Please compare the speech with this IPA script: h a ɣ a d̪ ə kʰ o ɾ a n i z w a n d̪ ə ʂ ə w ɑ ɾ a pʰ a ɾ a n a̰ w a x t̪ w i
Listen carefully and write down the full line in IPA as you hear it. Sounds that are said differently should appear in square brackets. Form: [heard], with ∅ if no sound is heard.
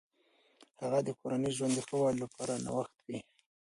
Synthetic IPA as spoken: h a ɣ a d̪ ə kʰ o ɾ a n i [ʒ] w a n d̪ ə [x] ə w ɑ [l] a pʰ [ɑ] ɾ a n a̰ w a x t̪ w i